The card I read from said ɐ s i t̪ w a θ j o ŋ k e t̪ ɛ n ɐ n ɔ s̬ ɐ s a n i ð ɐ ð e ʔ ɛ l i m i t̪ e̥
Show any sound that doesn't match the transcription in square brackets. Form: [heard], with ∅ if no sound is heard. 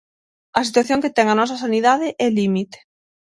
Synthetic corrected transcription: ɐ s i t̪ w a θ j o ŋ k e t̪ ɛ [ŋ] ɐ n ɔ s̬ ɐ s a n i ð [a] ð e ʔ ɛ l i m i t̪ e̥